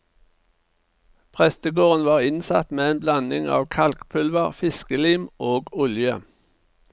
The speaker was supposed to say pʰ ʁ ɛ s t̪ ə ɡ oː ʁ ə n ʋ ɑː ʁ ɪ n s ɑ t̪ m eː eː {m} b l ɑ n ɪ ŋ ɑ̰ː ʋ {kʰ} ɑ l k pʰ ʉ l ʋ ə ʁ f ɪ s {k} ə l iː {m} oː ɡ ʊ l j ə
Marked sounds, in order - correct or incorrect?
incorrect: n, correct, correct, correct

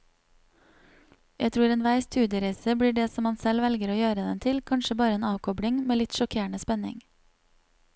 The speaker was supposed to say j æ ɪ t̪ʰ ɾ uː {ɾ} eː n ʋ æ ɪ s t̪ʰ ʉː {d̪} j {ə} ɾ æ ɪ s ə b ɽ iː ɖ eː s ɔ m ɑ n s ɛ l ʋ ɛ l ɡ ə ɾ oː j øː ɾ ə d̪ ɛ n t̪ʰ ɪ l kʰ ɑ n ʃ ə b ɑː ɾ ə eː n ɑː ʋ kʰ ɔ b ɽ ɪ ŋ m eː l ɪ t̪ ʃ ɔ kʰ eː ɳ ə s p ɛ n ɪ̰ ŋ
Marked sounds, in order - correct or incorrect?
correct, correct, correct

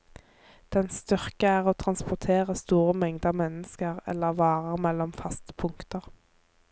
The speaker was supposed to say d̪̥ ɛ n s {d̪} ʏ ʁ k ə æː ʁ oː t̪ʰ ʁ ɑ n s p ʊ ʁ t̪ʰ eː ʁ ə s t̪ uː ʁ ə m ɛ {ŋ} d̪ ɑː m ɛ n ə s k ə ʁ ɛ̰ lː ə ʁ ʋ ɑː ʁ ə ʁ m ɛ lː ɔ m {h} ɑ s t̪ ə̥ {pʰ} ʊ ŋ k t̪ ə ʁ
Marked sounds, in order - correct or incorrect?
incorrect: t̪, correct, incorrect: f, correct

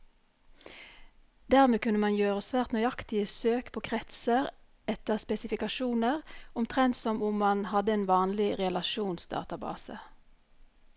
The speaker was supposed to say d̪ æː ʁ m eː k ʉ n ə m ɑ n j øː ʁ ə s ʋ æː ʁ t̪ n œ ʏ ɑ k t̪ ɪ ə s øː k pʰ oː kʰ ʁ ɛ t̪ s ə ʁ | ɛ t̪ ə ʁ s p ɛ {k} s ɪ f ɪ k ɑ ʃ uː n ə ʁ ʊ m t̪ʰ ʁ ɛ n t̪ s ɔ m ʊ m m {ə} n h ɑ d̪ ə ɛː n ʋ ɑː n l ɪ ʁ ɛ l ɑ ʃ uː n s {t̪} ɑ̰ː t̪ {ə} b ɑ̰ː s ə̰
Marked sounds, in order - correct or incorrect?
incorrect: none, incorrect: ɑ, incorrect: d̪, incorrect: ɑ

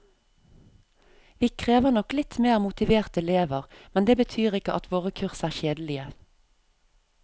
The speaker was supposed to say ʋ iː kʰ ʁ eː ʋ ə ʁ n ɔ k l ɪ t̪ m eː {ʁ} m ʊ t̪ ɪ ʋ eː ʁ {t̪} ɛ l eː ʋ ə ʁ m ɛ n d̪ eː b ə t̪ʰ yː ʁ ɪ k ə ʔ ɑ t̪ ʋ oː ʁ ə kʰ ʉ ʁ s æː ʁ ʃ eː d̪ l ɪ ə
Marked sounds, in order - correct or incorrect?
correct, correct

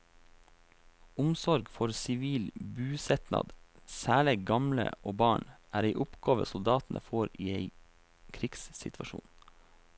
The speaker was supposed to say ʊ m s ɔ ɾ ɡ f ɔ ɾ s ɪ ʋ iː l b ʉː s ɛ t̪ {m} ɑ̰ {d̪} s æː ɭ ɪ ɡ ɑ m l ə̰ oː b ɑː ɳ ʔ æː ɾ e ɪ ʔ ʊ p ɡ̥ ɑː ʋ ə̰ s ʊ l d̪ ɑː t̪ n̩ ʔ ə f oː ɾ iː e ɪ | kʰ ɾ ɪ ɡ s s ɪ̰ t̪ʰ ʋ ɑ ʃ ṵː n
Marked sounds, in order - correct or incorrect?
incorrect: n, correct

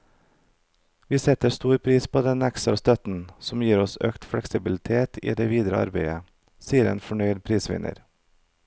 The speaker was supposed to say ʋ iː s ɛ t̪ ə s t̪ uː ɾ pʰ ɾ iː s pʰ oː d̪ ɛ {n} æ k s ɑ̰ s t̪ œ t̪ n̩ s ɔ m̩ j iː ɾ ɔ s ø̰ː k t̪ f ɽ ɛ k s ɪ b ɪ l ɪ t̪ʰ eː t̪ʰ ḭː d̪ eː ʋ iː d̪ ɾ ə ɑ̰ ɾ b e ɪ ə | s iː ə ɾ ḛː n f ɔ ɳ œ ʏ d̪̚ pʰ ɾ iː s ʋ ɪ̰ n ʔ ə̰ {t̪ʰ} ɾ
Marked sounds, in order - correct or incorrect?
correct, incorrect: none

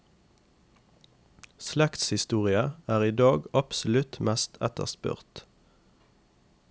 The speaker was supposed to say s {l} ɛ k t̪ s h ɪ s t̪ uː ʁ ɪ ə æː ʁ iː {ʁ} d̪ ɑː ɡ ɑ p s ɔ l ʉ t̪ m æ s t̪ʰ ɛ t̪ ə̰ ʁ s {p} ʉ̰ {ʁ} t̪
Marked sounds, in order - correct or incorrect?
correct, incorrect: none, correct, correct

